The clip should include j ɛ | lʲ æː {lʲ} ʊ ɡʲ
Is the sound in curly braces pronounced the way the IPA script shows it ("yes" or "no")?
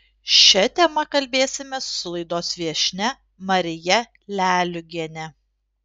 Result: yes